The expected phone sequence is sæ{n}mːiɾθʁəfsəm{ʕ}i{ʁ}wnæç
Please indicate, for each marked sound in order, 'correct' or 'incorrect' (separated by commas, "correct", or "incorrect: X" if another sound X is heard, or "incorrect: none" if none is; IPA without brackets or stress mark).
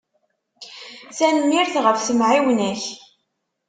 correct, correct, incorrect: none